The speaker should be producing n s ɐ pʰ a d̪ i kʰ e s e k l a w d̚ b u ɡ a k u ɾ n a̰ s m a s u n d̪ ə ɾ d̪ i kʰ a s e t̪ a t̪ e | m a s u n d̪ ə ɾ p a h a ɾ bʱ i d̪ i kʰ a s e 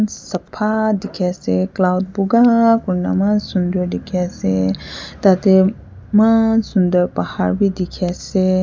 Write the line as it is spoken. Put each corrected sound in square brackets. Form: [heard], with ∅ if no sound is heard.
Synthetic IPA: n s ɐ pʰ a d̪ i kʰ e s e k l a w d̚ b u ɡ a k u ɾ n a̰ [∅] m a s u n d̪ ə ɾ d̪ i kʰ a s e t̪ a t̪ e | m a s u n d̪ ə ɾ p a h a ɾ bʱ i d̪ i kʰ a s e